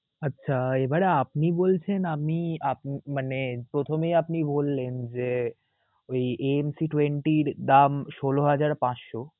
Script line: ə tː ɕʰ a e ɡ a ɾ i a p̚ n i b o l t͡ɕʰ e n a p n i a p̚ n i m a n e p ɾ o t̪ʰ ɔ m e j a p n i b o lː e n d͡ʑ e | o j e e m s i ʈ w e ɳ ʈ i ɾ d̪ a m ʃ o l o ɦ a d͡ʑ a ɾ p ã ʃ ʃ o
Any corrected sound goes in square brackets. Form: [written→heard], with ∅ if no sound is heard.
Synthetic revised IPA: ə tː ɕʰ a e [ɡ→b] a ɾ [i→e] a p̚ n i b o l t͡ɕʰ e n a p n i a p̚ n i m a n e p ɾ o t̪ʰ [ɔ→o] m e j a p n i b o lː e n d͡ʑ e | o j e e m s i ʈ w e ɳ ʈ i ɾ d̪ a m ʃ o l o ɦ a d͡ʑ a ɾ p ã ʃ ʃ o